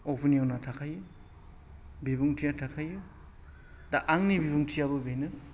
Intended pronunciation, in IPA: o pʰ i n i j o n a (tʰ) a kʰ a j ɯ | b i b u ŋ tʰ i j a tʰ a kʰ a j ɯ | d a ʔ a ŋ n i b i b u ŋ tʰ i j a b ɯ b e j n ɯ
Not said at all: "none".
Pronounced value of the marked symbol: tʰ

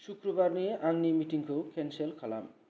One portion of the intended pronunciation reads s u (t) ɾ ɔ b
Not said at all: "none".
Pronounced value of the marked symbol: k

